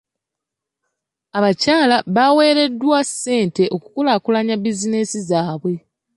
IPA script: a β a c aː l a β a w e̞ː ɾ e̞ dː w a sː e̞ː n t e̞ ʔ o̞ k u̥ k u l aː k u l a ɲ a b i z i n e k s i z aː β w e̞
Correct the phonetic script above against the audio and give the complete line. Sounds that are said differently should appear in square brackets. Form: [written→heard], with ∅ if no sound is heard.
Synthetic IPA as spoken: a β a c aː l a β a w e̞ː ɾ e̞ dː w a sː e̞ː n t e̞ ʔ o̞ k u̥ k u l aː k u l a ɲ a b i z i n e [k→∅] s i z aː β w e̞